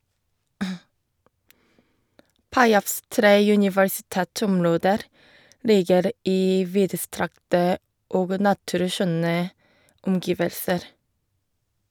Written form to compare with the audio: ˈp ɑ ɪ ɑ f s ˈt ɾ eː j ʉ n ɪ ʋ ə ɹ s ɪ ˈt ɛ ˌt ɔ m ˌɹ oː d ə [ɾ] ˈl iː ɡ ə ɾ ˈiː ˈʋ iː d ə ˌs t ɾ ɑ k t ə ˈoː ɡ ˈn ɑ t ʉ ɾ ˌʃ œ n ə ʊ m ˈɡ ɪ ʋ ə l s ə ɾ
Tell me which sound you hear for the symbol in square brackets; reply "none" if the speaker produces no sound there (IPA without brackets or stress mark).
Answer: ɾ